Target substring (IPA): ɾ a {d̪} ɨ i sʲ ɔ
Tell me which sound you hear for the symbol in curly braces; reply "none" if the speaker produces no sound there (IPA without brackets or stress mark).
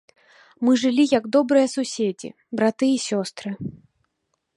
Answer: t̪